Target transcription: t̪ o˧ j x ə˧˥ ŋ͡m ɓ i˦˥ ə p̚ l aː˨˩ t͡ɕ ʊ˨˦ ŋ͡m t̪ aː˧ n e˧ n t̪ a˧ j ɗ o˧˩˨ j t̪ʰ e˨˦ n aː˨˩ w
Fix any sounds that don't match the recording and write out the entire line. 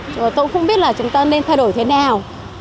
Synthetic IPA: t̪ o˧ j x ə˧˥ ŋ͡m ɓ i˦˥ ə t̚ l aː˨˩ t͡ɕ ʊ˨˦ ŋ͡m t̪ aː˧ n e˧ n t̪ʰ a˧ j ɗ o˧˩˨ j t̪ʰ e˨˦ n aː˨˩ w